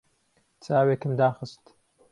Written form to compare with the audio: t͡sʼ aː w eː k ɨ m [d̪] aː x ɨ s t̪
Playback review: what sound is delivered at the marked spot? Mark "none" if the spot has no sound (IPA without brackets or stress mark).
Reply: d̪